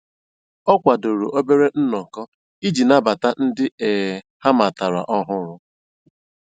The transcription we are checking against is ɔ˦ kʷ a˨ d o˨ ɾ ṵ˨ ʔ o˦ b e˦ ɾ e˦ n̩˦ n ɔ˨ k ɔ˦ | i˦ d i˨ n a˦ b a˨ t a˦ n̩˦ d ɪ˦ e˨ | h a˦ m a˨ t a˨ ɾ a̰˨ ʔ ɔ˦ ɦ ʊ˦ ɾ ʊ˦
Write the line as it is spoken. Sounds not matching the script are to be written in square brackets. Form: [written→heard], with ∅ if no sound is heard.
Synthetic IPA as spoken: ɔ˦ kʷ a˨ d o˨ ɾ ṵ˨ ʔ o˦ b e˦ ɾ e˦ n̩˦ n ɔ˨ k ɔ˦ | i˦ [d→d͡ʒ] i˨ n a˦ b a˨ t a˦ n̩˦ d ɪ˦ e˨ | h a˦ m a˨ t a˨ ɾ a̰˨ ʔ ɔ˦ ɦ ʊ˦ ɾ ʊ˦